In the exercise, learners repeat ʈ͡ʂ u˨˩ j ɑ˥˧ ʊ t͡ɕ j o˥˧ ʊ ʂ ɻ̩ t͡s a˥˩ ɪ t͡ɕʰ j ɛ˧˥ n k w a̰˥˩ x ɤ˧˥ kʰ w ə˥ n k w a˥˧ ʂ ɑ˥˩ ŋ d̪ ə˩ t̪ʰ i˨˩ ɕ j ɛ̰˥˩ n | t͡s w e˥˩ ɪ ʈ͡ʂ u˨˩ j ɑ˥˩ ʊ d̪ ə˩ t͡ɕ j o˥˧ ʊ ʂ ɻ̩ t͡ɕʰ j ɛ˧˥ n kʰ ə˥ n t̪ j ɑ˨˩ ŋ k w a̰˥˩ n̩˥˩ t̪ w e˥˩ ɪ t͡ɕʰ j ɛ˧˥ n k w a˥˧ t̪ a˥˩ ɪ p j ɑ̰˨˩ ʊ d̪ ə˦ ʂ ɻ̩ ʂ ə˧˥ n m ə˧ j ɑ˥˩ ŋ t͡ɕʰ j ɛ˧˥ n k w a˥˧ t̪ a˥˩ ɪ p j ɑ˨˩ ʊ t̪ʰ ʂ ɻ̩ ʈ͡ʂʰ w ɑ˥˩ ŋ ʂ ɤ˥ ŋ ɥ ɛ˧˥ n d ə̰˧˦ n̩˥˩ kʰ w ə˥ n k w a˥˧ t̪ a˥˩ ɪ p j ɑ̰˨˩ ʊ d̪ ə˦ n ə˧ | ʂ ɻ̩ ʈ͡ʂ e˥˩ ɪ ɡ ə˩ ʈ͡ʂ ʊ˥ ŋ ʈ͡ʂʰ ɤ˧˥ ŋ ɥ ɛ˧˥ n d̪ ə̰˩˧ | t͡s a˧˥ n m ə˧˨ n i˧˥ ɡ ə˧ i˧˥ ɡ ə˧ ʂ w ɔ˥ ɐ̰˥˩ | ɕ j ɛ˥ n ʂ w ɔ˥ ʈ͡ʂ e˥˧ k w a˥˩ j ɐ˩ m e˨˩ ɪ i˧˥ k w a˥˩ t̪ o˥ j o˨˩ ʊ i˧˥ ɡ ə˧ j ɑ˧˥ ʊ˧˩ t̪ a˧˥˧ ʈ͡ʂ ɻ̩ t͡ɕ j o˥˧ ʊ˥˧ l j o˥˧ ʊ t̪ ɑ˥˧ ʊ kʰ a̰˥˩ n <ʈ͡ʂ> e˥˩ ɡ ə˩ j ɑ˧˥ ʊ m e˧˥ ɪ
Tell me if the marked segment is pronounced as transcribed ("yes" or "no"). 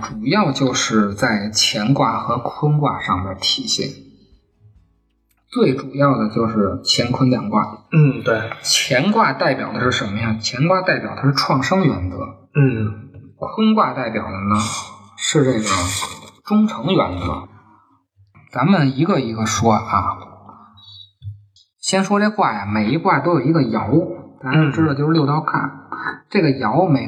yes